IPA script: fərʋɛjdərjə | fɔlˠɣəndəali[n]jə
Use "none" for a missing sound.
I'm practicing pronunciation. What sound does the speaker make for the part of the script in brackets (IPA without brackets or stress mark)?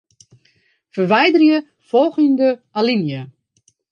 n